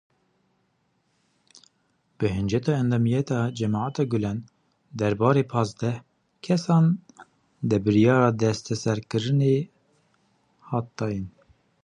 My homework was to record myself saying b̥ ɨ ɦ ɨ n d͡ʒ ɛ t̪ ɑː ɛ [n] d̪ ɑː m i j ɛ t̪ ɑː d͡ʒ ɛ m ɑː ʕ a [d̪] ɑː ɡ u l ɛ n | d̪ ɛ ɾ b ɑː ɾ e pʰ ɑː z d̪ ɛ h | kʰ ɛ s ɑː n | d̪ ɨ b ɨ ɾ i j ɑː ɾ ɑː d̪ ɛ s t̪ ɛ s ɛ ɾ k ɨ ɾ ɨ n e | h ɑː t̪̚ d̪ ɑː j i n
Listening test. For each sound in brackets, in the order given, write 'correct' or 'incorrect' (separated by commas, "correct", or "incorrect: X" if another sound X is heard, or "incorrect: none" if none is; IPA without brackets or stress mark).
correct, incorrect: t̪